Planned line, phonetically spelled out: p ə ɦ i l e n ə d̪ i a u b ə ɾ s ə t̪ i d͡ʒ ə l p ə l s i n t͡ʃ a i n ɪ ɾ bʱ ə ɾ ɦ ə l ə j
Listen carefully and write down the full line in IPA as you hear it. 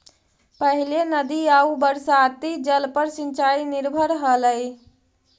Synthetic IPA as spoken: p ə ɦ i l e n ə d̪ i a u b ə ɾ s a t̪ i d͡ʒ ə l p ə ɾ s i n t͡ʃ a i n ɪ ɾ bʱ ə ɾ ɦ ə l ə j